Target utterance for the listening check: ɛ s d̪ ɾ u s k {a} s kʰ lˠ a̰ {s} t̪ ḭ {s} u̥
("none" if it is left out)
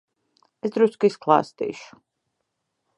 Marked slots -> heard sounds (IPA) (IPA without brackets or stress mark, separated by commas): i, s, ʃ